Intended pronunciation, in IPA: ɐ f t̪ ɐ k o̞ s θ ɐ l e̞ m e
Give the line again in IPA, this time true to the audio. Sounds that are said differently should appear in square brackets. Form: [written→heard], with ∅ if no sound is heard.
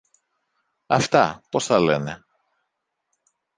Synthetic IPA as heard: ɐ f t̪ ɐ [k→p] o̞ s θ ɐ l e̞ [m→n] e

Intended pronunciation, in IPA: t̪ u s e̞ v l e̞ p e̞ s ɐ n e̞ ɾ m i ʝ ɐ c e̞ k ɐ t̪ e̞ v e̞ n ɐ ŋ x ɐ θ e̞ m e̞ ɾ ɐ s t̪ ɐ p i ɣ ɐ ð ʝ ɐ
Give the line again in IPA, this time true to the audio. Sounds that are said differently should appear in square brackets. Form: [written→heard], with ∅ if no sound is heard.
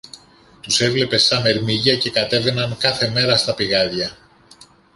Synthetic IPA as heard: t̪ u s e̞ v l e̞ p e̞ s ɐ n e̞ ɾ m i ʝ ɐ c e̞ k ɐ t̪ e̞ v e̞ n ɐ ŋ [x→k] ɐ θ e̞ m e̞ ɾ ɐ s t̪ ɐ p i ɣ ɐ ð ʝ ɐ

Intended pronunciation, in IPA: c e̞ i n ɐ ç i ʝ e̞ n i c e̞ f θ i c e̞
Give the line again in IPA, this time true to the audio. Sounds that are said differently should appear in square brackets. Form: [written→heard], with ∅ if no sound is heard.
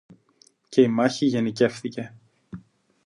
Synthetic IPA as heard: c e̞ i [n→m] ɐ ç i ʝ e̞ n i c e̞ f θ i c e̞

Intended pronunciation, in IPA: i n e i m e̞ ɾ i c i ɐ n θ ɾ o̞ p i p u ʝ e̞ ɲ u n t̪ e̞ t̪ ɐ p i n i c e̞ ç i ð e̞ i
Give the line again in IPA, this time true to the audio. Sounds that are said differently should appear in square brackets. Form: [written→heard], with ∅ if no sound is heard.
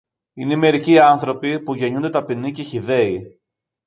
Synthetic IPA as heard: i n e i m e̞ ɾ i c i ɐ n θ ɾ o̞ p i p u ʝ e̞ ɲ u n [t̪→d̪] e̞ t̪ ɐ p i n i c e̞ ç i ð e̞ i

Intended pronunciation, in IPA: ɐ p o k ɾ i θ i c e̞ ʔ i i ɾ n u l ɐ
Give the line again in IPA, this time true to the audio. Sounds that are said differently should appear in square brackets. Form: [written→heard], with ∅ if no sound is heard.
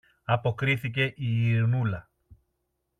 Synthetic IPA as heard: ɐ p o k ɾ i θ i c e̞ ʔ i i ɾ n u l ɐ

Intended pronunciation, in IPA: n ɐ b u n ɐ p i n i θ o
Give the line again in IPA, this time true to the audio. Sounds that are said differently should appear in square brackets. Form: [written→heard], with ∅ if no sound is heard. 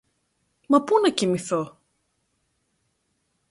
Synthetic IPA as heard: [n→m] ɐ [b→p] u n ɐ [p→c] i [n→m] i θ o

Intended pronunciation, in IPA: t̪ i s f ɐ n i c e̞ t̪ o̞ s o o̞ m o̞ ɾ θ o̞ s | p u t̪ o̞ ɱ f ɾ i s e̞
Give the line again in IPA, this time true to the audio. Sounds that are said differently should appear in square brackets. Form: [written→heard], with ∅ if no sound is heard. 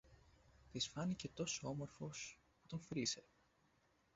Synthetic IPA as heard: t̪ i s f ɐ n i c e̞ t̪ o̞ s o o̞ m o̞ ɾ [θ→f] o̞ s | p u t̪ o̞ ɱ f ɾ i s e̞

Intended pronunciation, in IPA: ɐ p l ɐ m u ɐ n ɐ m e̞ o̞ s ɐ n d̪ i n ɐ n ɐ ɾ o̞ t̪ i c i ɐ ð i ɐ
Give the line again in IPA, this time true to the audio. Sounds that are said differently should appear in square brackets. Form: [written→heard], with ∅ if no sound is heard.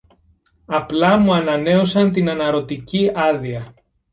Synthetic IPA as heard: ɐ p l ɐ m u ɐ n ɐ [m→n] e̞ o̞ s ɐ n [d̪→t̪] i n ɐ n ɐ ɾ o̞ t̪ i c i ɐ ð i ɐ

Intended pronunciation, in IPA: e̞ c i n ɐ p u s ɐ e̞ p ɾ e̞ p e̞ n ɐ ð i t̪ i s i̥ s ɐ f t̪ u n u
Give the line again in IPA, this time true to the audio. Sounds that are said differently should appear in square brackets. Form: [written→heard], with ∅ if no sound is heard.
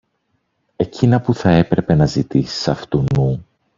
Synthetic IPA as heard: e̞ c i n ɐ p u [s→θ] ɐ e̞ p ɾ e̞ p e̞ n ɐ [ð→z] i t̪ i s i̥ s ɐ f t̪ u n u

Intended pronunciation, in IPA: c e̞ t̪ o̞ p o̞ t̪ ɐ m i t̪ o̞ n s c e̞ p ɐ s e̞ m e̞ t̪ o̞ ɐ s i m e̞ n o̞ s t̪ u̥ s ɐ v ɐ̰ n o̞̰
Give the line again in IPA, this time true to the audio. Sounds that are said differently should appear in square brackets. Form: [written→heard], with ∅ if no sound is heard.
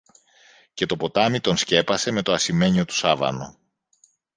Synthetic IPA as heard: c e̞ t̪ o̞ p o̞ t̪ ɐ m i t̪ o̞ n s c e̞ p ɐ s e̞ m e̞ t̪ o̞ ɐ s i m e̞ [n→ɲ] o̞ [s→∅] t̪ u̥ s ɐ v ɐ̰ n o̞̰

